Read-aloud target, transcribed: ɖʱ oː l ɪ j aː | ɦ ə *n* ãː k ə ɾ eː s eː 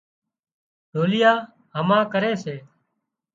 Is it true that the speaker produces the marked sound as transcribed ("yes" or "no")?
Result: no